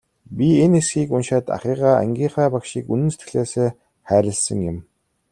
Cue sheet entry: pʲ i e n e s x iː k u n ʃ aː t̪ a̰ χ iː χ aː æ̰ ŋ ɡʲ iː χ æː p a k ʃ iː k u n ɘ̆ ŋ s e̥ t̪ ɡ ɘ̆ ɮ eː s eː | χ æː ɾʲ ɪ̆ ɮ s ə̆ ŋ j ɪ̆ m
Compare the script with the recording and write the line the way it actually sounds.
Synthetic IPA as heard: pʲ i e n e s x iː k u n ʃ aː t̪ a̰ χ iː ʁ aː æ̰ ŋ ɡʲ iː χ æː p a k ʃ iː k u n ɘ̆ n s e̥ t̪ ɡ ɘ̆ ɮ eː s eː | χ æː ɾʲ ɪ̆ ɮ s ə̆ ŋ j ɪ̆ m